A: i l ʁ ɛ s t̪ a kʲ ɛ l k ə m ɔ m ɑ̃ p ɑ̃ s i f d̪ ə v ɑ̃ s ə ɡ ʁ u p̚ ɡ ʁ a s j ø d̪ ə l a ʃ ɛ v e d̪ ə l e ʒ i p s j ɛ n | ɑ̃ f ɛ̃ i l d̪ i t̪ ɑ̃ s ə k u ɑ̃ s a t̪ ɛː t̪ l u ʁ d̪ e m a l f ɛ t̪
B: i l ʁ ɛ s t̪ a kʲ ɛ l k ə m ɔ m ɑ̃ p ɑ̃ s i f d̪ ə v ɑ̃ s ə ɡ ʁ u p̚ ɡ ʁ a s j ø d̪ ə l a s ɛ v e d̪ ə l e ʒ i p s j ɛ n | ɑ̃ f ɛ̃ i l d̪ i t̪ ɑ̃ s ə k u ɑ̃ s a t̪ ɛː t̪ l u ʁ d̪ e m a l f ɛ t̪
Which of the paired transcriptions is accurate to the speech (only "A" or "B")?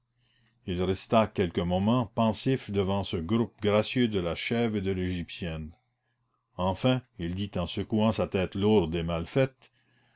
A